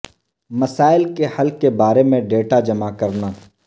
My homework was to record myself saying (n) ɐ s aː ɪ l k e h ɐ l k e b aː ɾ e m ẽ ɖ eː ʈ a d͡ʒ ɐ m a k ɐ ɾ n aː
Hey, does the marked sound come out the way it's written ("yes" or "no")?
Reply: no